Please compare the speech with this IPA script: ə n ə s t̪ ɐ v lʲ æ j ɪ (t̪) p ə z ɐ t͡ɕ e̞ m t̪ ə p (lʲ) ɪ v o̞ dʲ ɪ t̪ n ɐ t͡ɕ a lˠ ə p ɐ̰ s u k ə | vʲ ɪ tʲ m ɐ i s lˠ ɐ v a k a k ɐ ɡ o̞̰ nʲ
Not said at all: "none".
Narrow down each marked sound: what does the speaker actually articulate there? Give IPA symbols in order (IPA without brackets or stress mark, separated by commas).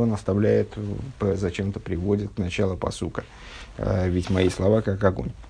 t̪, ɾʲ